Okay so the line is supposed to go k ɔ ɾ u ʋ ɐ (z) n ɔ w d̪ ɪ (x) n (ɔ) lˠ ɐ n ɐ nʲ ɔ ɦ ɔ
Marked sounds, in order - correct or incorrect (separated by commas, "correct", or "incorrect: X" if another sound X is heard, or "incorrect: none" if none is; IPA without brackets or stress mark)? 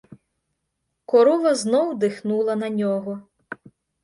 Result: correct, correct, incorrect: u